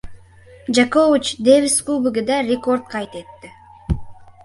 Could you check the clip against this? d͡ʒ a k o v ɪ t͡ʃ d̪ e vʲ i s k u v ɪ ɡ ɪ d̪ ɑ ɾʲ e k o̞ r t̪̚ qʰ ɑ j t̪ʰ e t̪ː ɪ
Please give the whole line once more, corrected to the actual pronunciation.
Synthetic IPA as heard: d͡ʒ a k o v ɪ t͡ʃ d̪ e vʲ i s k u b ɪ ɡ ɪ d̪ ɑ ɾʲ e k o̞ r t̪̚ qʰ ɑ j t̪ e t̪ː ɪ